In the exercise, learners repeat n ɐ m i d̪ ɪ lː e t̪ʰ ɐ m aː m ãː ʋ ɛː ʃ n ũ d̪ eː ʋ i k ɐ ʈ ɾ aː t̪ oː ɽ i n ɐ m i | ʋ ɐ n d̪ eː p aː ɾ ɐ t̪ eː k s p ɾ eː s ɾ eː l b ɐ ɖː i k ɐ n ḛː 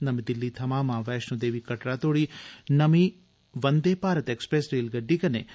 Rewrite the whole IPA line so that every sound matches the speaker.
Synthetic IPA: n ɐ m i d̪ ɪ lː i t̪ʰ ɐ m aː m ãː ʋ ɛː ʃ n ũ d̪ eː ʋ i k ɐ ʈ ɾ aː t̪ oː ɽ i n ɐ m i | ʋ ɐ n d̪ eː p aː ɾ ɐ t̪ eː k s p ɾ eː s ɾ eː l ɡ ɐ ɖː i k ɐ n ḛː